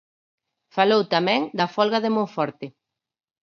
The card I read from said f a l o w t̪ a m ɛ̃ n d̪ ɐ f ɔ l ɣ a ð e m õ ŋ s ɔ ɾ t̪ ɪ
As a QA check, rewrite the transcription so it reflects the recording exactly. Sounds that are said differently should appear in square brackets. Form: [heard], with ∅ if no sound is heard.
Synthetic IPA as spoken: f a l o w t̪ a m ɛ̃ [ŋ] d̪ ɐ f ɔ l ɣ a ð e m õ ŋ [f] ɔ ɾ t̪ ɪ